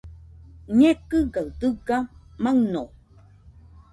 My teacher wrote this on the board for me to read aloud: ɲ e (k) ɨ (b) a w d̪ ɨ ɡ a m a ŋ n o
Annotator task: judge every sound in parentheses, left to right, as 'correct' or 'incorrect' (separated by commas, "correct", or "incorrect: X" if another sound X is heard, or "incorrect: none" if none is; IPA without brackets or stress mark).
correct, incorrect: ɡ